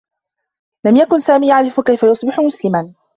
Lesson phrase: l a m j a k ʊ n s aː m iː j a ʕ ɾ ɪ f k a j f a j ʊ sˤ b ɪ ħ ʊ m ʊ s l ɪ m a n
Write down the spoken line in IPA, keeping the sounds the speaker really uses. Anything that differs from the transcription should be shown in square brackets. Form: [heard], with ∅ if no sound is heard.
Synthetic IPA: l a m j a k ʊ n s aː m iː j a ʕ ɾ ɪ f k a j f a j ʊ sˤ b ɪ ħ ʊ m ʊ s l ɪ m a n